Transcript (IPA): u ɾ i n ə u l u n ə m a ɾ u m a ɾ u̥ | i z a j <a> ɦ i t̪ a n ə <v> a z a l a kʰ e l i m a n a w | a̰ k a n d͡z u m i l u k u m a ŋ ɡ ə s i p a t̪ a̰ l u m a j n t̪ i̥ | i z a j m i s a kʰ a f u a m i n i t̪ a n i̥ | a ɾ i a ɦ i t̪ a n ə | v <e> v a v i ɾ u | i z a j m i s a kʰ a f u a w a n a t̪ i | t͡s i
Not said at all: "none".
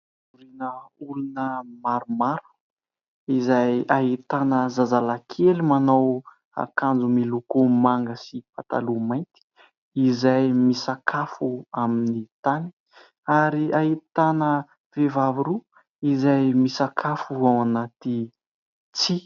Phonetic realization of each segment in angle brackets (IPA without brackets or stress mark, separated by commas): a, z, e